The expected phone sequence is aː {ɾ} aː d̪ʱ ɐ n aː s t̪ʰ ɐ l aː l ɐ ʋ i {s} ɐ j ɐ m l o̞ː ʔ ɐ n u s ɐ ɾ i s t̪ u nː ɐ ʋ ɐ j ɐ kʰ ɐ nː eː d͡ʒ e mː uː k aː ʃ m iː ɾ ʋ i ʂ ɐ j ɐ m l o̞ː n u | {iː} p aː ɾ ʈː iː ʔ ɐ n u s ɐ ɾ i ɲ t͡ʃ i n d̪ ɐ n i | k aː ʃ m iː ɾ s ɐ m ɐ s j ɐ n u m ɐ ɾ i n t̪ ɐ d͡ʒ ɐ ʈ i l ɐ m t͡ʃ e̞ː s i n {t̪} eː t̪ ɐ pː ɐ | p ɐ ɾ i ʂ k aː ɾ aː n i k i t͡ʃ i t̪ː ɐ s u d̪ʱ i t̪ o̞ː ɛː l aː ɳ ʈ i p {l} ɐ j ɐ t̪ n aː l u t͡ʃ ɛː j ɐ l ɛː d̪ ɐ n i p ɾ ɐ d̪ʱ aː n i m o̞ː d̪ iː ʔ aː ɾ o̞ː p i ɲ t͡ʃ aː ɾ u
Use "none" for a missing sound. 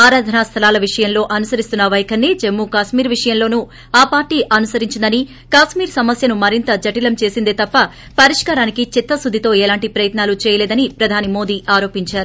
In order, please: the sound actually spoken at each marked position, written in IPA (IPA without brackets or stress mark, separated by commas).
ɾ, ʂ, aː, d̪, ɾ